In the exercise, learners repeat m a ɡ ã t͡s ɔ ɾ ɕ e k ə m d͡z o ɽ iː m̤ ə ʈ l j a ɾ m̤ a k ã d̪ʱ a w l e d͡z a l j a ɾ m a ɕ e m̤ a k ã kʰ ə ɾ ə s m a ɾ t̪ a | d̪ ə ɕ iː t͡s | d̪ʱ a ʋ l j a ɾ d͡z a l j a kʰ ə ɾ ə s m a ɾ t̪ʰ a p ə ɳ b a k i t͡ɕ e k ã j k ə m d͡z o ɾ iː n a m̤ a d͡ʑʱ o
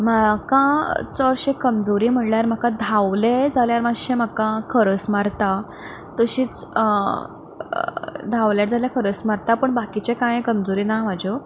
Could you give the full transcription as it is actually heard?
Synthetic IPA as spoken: m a k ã t͡s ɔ ɾ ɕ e k ə m d͡z o ɾ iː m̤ ə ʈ l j a ɾ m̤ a k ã d̪ʱ a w l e d͡z a l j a ɾ m a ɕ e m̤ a k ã kʰ ə ɾ ə s m a ɾ t̪ a | t̪ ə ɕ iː t͡s | d̪ʱ a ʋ l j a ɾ d͡z a l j a kʰ ə ɾ ə s m a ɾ t̪ a p ə ɳ b a k i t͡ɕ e k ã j k ə m d͡z o ɾ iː n a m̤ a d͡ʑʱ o